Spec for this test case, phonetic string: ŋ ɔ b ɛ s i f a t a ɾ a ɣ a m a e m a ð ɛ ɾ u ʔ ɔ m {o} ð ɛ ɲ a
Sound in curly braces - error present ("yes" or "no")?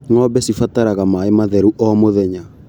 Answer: no